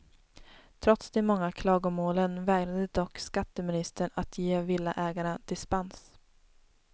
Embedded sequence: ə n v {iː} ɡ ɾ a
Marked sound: incorrect: ɛː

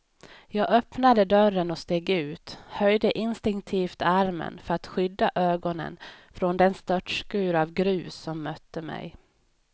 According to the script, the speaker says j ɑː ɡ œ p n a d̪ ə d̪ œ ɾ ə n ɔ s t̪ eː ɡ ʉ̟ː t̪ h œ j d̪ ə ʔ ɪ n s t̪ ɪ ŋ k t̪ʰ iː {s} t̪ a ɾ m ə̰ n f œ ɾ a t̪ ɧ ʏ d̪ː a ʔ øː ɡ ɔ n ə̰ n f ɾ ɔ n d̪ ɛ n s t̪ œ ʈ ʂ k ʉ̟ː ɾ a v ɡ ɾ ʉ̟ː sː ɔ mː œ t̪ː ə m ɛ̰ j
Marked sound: incorrect: f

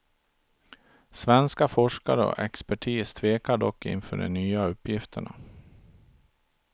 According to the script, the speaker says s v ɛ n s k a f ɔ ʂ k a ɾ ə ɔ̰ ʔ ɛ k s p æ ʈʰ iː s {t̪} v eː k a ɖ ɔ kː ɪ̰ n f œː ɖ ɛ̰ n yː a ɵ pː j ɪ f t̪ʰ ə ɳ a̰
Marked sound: incorrect: t̪ʰ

